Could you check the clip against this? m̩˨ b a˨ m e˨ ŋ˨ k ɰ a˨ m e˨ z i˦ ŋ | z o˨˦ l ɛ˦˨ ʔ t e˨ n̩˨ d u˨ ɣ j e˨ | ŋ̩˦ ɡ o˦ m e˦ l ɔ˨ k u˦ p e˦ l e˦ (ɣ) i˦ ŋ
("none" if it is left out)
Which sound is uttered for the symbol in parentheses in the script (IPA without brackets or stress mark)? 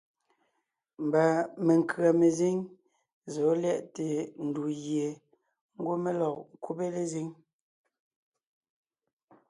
z